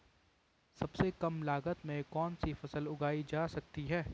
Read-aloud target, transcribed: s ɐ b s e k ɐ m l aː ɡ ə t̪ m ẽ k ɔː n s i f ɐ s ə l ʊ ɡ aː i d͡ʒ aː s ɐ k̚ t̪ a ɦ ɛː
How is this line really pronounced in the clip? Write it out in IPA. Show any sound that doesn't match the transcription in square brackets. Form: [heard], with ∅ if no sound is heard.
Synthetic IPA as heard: s ɐ b s e k ɐ m l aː ɡ ə t̪ m ẽ k ɔː n s i f ɐ s ə l ʊ ɡ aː i d͡ʒ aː s ɐ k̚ t̪ [i] ɦ ɛː